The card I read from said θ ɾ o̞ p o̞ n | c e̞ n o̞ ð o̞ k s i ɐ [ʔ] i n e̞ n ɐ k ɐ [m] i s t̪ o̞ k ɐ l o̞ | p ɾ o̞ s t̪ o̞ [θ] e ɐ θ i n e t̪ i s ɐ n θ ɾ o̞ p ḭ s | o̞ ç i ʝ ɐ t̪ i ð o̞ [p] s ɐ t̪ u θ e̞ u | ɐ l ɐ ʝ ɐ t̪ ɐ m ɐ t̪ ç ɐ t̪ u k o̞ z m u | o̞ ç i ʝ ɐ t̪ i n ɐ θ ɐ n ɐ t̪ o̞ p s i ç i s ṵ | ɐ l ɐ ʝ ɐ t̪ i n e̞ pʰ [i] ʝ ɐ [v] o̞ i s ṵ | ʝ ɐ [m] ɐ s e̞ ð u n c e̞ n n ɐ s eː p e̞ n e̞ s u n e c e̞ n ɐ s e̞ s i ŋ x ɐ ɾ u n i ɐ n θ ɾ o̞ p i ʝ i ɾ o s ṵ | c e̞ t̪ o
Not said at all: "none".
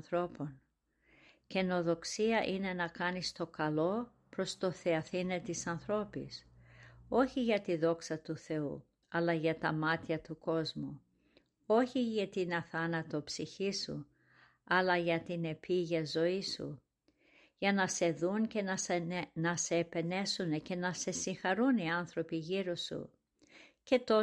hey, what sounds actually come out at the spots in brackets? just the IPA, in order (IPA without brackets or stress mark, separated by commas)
ʔ, n, θ, k, i, z, n